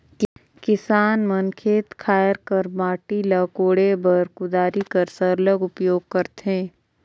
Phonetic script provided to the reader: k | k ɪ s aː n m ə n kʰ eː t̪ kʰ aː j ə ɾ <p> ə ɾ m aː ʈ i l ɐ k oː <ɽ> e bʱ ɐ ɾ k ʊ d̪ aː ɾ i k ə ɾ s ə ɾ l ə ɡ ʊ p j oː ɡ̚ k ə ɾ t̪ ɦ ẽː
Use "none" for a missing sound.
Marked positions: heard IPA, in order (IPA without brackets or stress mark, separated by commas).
k, ɽ